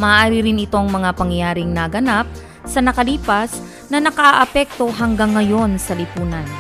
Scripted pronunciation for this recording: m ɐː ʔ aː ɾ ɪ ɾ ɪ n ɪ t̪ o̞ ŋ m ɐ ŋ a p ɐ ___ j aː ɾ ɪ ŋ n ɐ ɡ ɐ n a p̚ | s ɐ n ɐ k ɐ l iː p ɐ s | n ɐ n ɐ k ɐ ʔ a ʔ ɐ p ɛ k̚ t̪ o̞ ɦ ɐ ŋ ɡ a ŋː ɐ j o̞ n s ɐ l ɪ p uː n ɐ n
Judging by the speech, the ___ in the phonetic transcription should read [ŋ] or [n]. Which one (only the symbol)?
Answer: ŋ